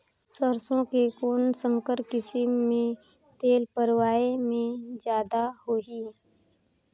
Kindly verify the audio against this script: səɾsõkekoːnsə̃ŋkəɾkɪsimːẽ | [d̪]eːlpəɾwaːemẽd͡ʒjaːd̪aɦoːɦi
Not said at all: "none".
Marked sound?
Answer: t̪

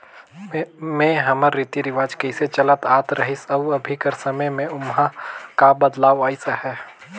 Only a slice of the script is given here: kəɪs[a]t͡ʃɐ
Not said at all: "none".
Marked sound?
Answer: e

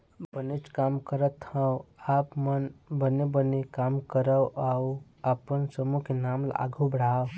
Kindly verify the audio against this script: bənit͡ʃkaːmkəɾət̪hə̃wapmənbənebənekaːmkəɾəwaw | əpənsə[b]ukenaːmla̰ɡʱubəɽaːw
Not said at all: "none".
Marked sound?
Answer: m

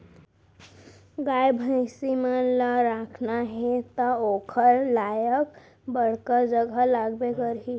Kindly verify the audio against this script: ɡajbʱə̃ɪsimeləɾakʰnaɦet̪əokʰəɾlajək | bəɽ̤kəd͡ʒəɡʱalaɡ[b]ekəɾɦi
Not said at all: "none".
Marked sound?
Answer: b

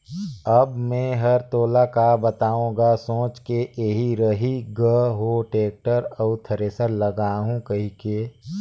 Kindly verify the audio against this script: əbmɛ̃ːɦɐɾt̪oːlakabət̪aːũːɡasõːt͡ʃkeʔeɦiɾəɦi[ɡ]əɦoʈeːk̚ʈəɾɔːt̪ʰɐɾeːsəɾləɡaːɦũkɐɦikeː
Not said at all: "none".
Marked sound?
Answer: ɡ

